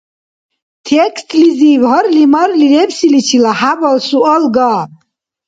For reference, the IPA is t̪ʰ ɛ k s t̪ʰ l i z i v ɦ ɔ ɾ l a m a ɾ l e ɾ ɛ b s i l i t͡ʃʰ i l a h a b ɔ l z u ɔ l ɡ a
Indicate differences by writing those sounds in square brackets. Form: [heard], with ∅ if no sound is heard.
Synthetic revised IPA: t̪ʰ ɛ k s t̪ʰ l i z i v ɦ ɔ ɾ l [i] m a ɾ l [i] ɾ ɛ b s i l i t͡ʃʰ i l a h a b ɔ l [s] u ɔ l ɡ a